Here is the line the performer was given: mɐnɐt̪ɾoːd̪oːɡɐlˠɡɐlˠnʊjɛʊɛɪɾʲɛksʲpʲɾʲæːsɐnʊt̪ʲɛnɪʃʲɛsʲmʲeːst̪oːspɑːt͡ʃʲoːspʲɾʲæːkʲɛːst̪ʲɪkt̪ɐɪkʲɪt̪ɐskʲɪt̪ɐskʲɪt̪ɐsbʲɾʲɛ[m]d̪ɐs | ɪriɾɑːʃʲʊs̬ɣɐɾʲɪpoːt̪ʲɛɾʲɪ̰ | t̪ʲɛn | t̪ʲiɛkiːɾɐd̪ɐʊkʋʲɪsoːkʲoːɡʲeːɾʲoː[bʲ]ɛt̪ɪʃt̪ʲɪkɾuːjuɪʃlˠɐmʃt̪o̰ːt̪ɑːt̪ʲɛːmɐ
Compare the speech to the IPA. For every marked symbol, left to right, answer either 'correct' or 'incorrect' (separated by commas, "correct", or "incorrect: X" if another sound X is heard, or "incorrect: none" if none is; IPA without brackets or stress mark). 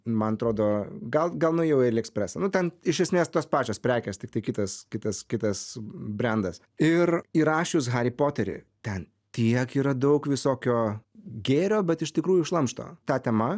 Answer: incorrect: n, correct